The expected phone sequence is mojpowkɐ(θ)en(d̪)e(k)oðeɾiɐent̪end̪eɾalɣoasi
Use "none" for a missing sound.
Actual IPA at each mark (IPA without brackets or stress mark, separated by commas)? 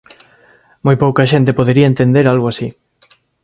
ʃ, t̪, p